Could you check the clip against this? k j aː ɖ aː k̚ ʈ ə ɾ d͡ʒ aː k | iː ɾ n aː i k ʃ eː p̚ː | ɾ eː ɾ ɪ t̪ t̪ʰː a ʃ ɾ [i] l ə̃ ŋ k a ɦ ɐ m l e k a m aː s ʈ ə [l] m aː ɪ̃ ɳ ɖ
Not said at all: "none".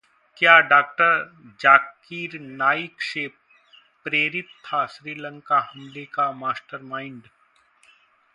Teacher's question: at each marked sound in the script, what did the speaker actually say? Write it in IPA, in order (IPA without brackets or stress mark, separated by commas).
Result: iː, ɾ